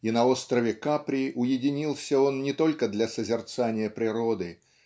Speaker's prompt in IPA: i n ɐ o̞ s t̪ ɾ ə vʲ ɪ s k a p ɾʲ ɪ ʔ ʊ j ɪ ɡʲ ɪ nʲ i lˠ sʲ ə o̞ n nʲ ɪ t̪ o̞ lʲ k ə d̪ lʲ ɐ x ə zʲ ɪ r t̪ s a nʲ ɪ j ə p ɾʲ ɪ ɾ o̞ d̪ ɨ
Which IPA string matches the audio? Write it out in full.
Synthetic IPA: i n ɐ o̞ s t̪ ɾ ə vʲ ɪ k a p ɾʲ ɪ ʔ ʊ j ɪ dʲ ɪ nʲ i lˠ sʲ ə o̞ n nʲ ɪ t̪ o̞ lʲ k ə d̪ lʲ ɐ s ə zʲ ɪ r t̪ s a nʲ ɪ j ə p ɾʲ ɪ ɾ o̞ d̪ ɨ